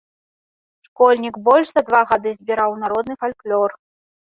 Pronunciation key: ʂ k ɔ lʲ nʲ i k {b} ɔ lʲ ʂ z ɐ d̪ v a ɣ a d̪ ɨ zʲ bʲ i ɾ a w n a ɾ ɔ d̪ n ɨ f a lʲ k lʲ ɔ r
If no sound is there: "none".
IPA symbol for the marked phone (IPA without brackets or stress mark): b